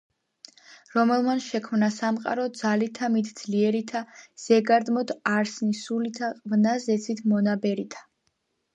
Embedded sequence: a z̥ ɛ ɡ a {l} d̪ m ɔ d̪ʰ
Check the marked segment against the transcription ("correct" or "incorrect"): incorrect